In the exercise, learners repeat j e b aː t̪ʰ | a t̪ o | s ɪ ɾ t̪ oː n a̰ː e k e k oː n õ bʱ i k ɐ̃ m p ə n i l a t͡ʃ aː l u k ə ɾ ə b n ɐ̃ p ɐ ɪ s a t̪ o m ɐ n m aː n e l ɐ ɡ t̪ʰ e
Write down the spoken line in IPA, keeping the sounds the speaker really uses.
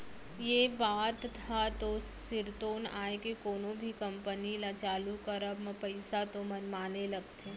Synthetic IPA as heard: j e b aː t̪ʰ | a t̪ o | s ɪ ɾ t̪ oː n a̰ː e k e k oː n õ bʱ i k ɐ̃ m p ə n i l a t͡ʃ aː l u k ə ɾ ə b m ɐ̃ p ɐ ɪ s a t̪ o m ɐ n m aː n e l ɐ ɡ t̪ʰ e

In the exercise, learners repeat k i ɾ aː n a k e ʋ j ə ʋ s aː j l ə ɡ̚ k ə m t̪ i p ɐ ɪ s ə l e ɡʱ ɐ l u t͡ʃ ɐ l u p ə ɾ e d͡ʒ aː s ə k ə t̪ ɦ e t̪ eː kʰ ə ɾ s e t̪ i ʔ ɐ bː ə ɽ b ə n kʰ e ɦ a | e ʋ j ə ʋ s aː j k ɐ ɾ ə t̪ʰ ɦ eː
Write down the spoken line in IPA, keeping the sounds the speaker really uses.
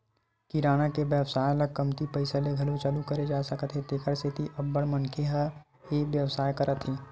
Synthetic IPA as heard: k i ɾ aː n a k e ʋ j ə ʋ s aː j l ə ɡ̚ k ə m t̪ i p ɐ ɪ s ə l e ɡʱ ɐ l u t͡ʃ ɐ l u k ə ɾ e d͡ʒ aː s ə k ə t̪ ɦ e t̪ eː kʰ ə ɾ s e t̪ i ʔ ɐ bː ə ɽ m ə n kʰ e ɦ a | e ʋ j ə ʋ s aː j k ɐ ɾ ə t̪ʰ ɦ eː

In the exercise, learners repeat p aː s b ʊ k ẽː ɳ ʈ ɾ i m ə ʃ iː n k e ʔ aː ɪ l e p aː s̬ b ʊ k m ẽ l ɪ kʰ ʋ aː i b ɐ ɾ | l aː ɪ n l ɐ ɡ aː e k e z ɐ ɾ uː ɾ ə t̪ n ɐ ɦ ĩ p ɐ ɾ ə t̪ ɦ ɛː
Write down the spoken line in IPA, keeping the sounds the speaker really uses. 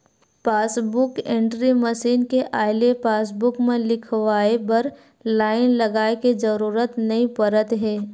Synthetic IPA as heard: p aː s b ʊ k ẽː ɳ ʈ ɾ i m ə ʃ iː n k e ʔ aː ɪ l e p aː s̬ b ʊ k m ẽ l ɪ kʰ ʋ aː e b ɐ ɾ | l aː ɪ n l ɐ ɡ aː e k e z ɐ ɾ uː ɾ ə t̪ n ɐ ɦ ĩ p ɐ ɾ ə t̪ ɦ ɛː

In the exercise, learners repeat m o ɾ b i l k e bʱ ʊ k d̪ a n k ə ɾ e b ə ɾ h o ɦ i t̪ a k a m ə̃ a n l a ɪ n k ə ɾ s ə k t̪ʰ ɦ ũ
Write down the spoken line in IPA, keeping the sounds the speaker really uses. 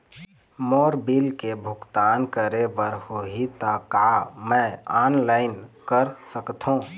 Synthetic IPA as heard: m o ɾ b i l k e bʱ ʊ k t̪ a n k ə ɾ e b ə ɾ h o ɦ i t̪ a k a m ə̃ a n l a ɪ n k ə ɾ s ə k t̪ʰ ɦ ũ

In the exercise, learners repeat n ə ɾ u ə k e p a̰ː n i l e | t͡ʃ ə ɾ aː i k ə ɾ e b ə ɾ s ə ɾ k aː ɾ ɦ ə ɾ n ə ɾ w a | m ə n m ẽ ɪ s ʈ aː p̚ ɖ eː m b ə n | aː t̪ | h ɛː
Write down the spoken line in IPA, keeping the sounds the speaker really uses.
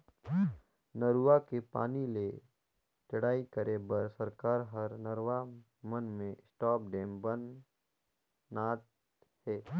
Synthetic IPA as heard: n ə ɾ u a k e p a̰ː n i l e | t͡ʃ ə ɽ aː i k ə ɾ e b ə ɾ s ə ɾ k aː ɾ ɦ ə ɾ n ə ɾ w a | m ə n m ẽ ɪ s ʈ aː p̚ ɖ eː m b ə n | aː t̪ | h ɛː

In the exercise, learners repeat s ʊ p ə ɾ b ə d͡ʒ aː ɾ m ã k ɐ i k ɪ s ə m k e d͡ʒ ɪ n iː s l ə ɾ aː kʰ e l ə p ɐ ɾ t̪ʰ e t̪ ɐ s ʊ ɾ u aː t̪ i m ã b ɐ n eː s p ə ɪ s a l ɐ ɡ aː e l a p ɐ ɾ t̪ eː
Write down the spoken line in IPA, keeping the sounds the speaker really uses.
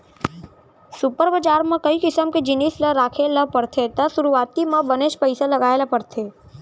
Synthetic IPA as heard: s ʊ p ə ɾ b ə d͡ʒ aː ɾ m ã k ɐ i k ɪ s ə m k e d͡ʒ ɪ n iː s l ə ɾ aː kʰ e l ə p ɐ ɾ t̪ʰ e t̪ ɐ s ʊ ɾ u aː t̪ i m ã b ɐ n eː ʃ p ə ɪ s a l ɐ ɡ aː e l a p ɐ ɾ t̪ʰ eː

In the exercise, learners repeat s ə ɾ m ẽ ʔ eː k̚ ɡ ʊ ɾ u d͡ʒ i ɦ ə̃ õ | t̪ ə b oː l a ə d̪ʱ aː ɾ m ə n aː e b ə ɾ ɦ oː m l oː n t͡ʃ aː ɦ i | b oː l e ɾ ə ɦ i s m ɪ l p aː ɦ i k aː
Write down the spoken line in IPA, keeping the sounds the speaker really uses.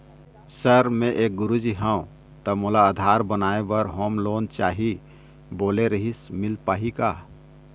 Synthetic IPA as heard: s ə ɾ m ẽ ʔ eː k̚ ɡ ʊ ɾ u d͡ʒ i ɦ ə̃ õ | t̪ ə m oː l a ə d̪ʱ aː ɾ b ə n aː e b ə ɾ ɦ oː m l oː n t͡ʃ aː ɦ i | b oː l e ɾ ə ɦ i s m ɪ l p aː ɦ i k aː

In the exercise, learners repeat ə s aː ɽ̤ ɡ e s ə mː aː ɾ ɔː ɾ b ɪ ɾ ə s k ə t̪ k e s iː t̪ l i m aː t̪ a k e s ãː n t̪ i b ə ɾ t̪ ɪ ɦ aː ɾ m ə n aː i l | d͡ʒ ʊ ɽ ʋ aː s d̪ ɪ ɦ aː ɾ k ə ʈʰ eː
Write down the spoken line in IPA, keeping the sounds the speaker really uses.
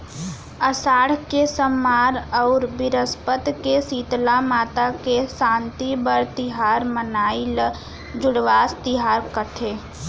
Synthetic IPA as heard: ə s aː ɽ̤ k e s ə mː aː ɾ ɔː ɾ b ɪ ɾ ə s p ə t̪ k e s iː t̪ l a m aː t̪ a k e s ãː n t̪ i b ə ɾ t̪ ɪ ɦ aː ɾ m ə n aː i l | d͡ʒ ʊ ɽ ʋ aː s t̪ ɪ ɦ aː ɾ k ə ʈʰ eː

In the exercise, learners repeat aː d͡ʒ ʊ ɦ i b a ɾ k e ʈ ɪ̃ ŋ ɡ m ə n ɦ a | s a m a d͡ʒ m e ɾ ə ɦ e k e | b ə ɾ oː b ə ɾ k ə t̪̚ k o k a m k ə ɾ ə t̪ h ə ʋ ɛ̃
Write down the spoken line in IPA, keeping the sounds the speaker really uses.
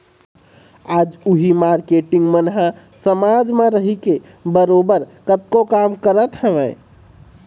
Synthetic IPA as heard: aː d͡ʒ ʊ ɦ i m a ɾ k e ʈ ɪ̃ ŋ ɡ m ə n ɦ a | s ə m a d͡ʒ m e ɾ ə ɦ i k e | b ə ɾ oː b ə ɾ k ə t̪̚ k o k a m k ə ɾ ə t̪ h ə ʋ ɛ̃

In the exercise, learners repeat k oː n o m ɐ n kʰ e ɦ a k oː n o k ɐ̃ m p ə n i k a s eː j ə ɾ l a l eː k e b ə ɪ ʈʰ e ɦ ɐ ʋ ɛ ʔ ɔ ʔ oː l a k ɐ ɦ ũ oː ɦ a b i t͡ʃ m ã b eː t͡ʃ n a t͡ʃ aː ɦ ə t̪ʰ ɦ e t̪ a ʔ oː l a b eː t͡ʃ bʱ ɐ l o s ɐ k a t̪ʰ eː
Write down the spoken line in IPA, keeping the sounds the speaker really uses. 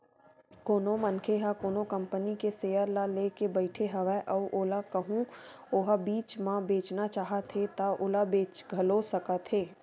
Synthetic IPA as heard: k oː n o m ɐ n kʰ e ɦ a k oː n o k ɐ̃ m p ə n i k e s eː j ə ɾ l a l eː k e b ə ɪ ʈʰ e ɦ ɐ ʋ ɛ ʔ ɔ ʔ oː l a k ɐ ɦ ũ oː ɦ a b iː t͡ʃ m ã b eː t͡ʃ n a t͡ʃ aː ɦ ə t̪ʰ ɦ e t̪ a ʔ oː l a b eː t͡ʃ ɡʱ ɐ l o s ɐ k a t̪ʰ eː

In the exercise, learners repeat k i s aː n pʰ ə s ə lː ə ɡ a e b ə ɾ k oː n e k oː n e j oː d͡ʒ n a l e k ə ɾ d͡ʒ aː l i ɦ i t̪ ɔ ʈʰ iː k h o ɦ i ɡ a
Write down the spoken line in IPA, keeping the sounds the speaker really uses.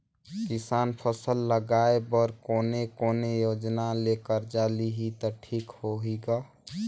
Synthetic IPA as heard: k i s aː n pʰ ə s ə lː ə ɡ a e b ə ɾ k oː n e k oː n e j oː d͡ʒ n a l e k ə ɾ d͡ʒ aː l i ɦ i t̪ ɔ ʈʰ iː k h o ɦ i ɡ a

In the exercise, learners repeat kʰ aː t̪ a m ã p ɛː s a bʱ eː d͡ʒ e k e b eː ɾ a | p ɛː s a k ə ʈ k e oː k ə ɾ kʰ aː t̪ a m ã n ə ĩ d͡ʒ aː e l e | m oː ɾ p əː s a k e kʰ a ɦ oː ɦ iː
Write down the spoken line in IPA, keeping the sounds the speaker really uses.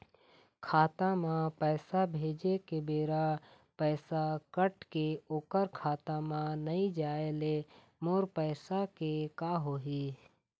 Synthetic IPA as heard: kʰ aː t̪ a m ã p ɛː s a bʱ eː d͡ʒ e k e b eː ɾ a | p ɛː s a k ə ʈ k e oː k ə ɾ kʰ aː t̪ a m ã n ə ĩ d͡ʒ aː e l e | m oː ɾ p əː s a k e k a ɦ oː ɦ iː

